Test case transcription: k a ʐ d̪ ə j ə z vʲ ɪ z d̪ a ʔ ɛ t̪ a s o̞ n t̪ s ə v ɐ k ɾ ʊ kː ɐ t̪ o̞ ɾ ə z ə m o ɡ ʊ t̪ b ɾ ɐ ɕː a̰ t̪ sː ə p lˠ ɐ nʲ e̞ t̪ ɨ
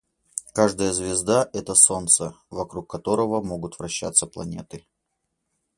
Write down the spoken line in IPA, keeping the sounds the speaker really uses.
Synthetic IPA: k a ʐ d̪ ə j ə z vʲ ɪ z d̪ a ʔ ɛ t̪ ə s o̞ n t̪ s ə v ɐ k ɾ u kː ɐ t̪ o̞ ɾ ə v ə m o ɡ ʊ t̪ v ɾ ɐ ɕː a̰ t̪ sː ə p lˠ ɐ nʲ e̞ t̪ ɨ